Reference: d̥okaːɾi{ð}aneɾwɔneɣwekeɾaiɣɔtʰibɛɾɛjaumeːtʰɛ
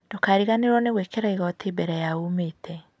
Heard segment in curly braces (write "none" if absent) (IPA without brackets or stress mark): ɣ